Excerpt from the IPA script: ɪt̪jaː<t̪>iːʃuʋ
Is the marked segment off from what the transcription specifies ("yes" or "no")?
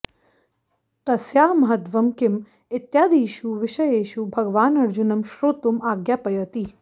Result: yes